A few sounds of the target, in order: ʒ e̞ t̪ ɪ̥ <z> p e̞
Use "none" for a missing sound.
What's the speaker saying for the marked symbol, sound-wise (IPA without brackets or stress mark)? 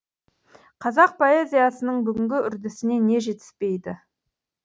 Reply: s